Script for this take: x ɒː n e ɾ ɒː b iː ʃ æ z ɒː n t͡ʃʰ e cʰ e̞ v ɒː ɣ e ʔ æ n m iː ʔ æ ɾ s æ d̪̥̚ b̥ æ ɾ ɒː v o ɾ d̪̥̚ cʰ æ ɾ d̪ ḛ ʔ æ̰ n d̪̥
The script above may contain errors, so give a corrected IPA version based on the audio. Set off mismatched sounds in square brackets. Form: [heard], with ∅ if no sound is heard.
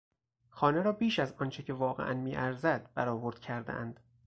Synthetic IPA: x ɒː n e ɾ ɒː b iː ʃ æ z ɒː n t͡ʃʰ e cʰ e̞ v ɒː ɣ e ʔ æ n m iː ʔ æ ɾ [z] æ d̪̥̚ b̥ æ ɾ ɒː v o ɾ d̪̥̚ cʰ æ ɾ d̪ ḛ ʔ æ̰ n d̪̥